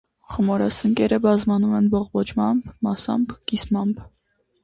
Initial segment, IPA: χ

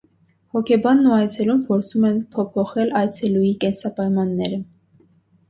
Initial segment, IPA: h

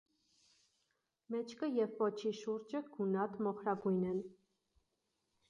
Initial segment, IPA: m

